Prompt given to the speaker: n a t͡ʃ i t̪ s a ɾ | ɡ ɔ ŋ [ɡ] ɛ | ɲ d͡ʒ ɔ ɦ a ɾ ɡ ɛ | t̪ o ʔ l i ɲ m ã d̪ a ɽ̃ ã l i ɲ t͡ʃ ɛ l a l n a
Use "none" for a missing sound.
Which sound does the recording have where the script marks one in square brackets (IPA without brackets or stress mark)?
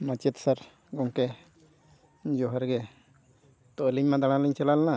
k